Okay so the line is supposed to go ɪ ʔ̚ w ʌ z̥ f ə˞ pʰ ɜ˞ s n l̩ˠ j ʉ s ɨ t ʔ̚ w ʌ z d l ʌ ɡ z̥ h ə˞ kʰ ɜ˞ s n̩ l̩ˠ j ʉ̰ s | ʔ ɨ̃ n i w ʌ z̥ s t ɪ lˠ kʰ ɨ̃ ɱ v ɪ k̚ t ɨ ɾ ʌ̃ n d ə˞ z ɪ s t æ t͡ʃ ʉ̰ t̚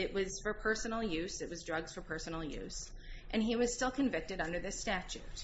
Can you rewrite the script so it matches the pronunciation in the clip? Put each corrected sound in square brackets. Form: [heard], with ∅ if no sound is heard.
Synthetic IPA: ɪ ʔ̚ w ʌ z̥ f ə˞ pʰ ɜ˞ s n l̩ˠ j ʉ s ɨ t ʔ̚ w ʌ z d [ɹ] ʌ ɡ z̥ [f] ə˞ [pʰ] ɜ˞ s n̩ l̩ˠ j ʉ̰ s | ʔ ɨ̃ n i w ʌ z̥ s t ɪ lˠ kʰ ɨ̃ ɱ v ɪ k̚ t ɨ ɾ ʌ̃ n d ə˞ [ð] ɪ s t æ t͡ʃ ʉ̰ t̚